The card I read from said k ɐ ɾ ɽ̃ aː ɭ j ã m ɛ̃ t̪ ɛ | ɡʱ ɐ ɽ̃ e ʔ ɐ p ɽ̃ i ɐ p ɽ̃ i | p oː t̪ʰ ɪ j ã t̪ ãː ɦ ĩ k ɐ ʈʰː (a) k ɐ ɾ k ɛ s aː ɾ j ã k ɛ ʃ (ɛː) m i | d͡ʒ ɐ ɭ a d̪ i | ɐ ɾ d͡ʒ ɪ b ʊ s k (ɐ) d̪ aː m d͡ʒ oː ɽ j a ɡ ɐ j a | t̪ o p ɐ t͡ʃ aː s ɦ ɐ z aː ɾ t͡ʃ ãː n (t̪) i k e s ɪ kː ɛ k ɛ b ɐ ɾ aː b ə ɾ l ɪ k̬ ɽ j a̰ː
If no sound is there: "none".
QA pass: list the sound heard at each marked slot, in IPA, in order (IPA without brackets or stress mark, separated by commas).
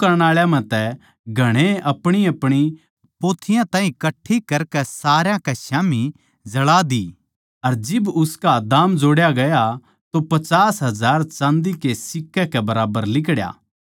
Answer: i, aː, a, d̪